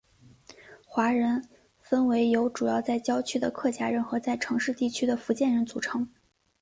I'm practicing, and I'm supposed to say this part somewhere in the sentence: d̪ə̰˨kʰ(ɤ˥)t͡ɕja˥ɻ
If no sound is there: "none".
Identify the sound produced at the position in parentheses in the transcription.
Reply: ɤ˥˩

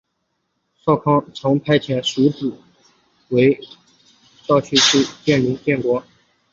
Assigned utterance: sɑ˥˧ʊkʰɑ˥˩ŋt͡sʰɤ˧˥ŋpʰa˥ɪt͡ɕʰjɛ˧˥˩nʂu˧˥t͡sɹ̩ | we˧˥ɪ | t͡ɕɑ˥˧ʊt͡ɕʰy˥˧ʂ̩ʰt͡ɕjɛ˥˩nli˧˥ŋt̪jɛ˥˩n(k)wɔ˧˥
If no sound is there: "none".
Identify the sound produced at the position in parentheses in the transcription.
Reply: k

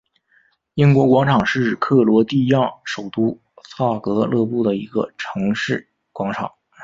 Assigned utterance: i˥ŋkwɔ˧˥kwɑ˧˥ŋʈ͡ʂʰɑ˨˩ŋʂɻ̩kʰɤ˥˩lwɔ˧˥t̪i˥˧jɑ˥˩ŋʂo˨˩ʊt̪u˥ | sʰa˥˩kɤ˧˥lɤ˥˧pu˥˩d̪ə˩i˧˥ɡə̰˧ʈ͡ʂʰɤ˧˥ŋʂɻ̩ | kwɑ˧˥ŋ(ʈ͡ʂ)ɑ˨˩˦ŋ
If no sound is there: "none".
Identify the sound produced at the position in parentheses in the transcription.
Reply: ʈ͡ʂʰ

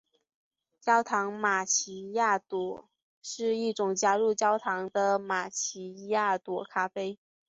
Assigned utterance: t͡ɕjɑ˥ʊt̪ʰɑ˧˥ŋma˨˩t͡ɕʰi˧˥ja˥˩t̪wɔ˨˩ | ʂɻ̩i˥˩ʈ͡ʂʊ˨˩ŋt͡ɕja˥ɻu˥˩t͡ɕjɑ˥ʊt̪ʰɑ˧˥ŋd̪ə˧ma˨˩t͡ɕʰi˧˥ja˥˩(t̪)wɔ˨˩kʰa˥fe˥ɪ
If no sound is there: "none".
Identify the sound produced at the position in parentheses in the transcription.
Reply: t̪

